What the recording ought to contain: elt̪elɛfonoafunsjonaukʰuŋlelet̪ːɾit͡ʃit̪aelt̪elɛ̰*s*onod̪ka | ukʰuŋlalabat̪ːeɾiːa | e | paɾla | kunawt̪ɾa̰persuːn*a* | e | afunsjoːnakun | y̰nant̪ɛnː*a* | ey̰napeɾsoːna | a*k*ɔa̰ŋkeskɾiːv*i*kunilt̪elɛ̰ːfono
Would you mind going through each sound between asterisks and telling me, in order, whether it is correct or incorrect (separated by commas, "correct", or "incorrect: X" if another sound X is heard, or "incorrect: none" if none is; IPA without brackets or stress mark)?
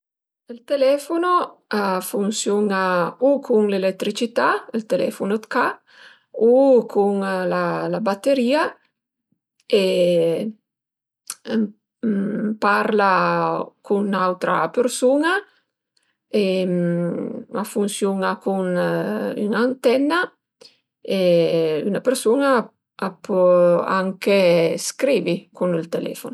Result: incorrect: f, correct, correct, incorrect: p, correct